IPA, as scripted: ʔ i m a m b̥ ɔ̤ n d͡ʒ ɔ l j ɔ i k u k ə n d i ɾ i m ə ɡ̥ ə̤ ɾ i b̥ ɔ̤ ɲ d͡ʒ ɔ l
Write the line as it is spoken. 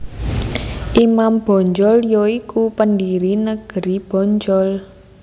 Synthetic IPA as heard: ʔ i m a m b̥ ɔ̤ ɲ d͡ʒ ɔ l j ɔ i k u p ə n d i ɾ i n ə ɡ̥ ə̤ ɾ i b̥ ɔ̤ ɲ d͡ʒ ɔ l